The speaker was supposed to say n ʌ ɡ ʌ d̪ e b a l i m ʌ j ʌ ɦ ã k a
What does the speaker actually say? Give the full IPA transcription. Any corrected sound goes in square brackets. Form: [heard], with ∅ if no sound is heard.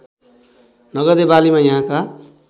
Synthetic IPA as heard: n ʌ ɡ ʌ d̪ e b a l i m [a] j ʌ ɦ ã k a